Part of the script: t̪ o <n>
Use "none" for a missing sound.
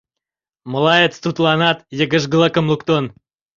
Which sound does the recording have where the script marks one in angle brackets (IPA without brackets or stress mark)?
n